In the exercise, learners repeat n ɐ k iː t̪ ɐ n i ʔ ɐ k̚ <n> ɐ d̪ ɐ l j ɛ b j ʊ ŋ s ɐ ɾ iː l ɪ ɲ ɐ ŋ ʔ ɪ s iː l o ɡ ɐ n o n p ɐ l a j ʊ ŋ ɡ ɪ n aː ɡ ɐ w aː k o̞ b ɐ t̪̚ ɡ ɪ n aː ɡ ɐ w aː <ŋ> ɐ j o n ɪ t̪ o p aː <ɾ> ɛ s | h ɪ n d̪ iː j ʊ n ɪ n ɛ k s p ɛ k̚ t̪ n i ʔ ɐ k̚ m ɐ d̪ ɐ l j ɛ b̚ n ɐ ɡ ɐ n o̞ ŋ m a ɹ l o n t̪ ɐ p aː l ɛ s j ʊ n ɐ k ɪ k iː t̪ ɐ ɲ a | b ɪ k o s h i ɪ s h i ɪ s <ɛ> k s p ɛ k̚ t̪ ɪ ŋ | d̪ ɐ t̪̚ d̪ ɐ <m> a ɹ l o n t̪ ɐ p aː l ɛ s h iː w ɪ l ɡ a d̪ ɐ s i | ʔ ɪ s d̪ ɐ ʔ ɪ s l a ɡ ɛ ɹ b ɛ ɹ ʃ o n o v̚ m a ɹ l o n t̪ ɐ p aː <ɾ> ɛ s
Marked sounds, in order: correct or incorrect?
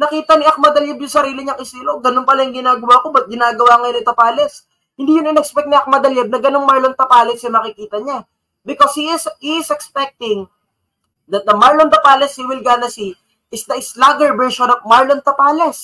incorrect: m, correct, incorrect: l, correct, correct, incorrect: l

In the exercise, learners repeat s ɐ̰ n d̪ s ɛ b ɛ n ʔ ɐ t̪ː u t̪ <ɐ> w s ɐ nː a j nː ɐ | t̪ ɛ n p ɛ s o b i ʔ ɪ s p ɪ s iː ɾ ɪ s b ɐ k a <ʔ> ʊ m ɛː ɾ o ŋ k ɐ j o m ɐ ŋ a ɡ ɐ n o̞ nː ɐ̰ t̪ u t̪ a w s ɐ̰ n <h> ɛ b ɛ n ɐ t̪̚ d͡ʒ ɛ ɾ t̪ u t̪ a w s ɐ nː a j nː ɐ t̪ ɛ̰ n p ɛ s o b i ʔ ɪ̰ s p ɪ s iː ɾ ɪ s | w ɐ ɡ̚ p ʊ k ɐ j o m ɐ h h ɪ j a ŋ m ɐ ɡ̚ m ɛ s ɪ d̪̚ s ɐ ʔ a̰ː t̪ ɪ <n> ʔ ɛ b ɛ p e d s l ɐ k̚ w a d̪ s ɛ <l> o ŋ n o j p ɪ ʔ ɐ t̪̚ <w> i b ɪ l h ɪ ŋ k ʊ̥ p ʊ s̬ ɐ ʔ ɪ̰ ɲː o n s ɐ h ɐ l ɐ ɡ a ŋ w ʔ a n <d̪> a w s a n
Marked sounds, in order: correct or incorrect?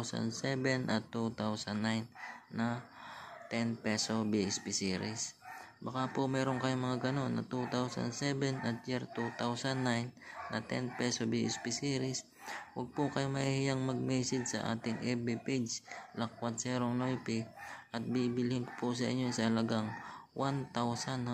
incorrect: a, incorrect: p, incorrect: s, incorrect: ŋ, incorrect: ɾ, incorrect: b, incorrect: t̪

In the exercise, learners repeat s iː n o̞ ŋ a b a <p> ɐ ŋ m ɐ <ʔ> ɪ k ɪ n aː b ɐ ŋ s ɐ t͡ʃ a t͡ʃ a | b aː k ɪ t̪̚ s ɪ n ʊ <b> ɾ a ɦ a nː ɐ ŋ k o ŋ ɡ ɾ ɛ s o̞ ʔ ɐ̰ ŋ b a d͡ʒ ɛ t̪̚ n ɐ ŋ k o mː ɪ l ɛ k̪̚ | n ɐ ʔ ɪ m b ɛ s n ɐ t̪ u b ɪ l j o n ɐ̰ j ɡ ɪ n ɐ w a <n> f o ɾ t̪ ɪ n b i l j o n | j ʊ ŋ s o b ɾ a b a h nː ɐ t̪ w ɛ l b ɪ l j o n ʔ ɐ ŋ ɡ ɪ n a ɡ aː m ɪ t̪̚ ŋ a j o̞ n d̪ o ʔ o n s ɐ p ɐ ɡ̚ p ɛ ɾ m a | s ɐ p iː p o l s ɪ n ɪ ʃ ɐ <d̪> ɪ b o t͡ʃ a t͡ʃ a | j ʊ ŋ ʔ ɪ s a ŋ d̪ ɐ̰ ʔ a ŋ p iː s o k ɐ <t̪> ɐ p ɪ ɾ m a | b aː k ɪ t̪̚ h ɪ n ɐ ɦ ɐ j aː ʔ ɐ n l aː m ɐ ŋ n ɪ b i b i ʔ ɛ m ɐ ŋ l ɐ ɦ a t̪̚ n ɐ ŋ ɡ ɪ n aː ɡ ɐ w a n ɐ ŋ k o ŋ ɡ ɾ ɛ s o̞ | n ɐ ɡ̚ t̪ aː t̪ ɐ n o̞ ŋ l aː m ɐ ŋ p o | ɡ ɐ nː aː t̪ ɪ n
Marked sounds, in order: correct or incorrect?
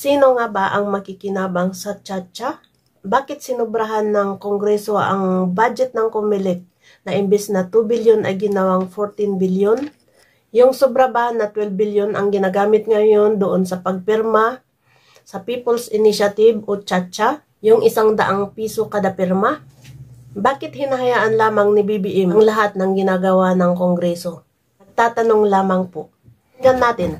incorrect: ʔ, incorrect: k, correct, incorrect: ŋ, incorrect: t̪, incorrect: d̪

